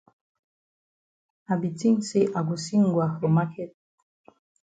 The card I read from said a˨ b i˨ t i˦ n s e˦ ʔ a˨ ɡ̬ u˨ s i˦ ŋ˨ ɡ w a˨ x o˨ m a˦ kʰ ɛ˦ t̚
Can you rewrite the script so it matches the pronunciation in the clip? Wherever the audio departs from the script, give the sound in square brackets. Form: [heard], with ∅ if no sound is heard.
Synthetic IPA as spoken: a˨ b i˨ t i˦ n s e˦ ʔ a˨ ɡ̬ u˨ s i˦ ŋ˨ ɡ w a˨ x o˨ m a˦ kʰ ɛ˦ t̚